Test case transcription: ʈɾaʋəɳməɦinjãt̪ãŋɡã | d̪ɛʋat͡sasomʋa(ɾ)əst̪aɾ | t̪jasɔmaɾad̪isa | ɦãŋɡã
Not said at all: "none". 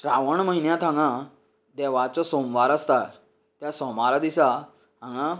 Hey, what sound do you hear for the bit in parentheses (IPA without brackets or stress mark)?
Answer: ɾ